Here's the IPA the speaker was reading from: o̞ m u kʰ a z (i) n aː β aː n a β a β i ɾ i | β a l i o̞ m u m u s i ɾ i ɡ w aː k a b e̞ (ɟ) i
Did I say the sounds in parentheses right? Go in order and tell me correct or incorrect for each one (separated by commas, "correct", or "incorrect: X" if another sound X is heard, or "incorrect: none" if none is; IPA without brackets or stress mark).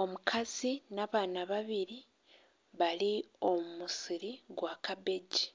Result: correct, correct